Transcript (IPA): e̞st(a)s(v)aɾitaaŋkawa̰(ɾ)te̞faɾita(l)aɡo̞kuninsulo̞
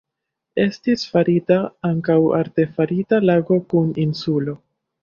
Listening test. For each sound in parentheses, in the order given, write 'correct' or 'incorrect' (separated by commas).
incorrect, incorrect, correct, correct